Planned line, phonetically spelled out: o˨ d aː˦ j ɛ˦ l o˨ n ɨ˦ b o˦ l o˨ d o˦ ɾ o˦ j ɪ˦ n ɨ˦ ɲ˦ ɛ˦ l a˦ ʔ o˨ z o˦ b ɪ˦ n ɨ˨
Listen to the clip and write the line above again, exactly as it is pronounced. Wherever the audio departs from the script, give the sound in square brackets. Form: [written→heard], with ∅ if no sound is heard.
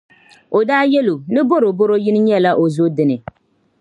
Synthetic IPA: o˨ d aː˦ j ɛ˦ l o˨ n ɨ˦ b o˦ [l→ɾ] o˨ [d→b] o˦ ɾ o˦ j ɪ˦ n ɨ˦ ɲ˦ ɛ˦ l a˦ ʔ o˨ z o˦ [b→d] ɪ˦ n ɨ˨